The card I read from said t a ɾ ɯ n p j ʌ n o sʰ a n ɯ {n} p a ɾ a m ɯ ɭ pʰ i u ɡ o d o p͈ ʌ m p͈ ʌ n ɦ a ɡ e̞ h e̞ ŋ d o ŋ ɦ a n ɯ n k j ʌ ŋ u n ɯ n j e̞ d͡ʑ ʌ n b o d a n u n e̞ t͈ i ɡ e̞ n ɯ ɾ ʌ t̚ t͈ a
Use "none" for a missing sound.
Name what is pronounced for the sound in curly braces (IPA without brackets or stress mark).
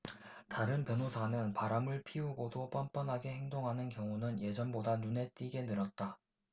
n